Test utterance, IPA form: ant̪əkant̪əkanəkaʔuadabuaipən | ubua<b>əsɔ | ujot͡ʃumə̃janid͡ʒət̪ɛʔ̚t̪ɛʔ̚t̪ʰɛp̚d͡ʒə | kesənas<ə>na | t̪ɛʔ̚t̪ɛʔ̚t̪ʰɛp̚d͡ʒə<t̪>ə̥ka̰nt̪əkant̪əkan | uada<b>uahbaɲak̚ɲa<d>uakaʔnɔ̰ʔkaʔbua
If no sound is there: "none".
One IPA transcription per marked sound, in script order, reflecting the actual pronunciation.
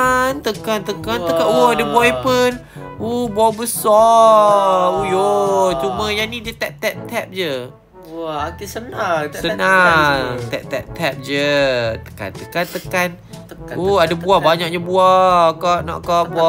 b, ə, t̪, b, b

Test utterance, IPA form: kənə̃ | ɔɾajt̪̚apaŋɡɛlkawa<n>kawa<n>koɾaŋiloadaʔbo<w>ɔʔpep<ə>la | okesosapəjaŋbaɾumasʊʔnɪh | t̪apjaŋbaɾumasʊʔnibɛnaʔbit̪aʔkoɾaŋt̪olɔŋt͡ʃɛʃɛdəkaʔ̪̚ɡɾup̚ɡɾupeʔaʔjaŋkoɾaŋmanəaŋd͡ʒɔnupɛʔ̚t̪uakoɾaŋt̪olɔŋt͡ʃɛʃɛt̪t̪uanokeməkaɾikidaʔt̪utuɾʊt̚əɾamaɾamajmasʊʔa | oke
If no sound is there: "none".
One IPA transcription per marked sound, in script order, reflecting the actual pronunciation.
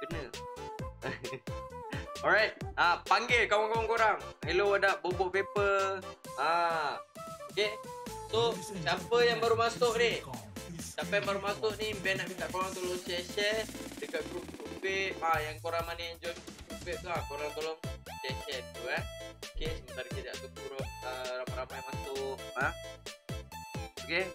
ŋ, ŋ, b, ə

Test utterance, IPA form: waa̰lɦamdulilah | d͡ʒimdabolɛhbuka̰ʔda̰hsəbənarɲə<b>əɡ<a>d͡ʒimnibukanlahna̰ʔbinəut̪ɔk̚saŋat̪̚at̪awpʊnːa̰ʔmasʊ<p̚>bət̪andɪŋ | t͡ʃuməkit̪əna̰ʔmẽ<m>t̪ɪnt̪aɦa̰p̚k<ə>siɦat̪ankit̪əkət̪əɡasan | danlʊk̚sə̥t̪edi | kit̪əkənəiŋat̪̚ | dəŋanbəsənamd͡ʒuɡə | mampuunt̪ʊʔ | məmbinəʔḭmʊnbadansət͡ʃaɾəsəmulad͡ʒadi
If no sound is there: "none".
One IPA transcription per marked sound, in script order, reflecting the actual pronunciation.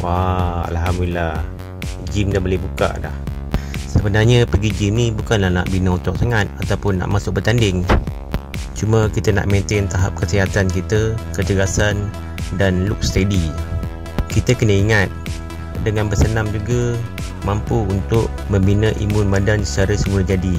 p, i, k̚, n, ə

